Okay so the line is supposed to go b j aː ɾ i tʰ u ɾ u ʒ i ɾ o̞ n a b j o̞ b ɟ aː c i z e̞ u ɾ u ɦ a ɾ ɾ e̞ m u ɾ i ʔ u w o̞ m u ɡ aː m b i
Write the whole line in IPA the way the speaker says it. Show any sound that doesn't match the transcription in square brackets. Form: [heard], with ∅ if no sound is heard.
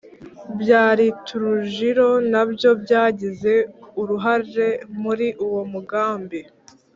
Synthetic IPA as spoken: b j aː ɾ i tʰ u ɾ u ʒ i ɾ o̞ n a b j o̞ b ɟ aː [ɟ] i z e̞ u ɾ u ɦ a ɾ ɾ e̞ m u ɾ i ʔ u w o̞ m u ɡ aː m b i